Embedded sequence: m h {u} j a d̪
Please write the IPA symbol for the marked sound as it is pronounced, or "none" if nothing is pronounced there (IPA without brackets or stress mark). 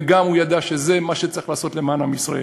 u